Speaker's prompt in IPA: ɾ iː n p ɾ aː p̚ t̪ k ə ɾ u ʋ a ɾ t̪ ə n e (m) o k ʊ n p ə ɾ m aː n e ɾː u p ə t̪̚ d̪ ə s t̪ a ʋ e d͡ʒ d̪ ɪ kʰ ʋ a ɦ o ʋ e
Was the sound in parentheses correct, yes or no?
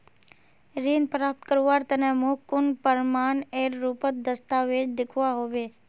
yes